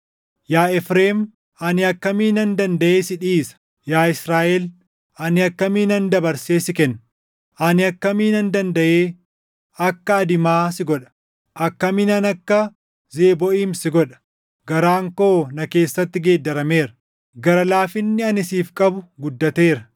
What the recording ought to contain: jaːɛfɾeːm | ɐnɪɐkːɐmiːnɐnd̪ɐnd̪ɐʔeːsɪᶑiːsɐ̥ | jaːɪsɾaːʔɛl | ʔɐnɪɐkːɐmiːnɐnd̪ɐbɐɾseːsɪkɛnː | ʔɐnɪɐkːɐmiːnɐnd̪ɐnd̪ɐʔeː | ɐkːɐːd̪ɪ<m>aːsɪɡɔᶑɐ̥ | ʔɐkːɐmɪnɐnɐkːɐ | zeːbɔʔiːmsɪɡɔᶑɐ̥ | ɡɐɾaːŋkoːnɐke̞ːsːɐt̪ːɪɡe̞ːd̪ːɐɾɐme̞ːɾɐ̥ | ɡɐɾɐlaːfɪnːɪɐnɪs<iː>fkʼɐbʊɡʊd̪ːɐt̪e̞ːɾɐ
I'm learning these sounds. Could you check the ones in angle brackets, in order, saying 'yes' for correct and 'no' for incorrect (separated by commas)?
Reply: yes, yes